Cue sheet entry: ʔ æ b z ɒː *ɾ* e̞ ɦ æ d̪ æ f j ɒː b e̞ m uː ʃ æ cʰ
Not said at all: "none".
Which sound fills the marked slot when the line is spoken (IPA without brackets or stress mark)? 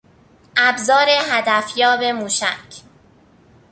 ɾ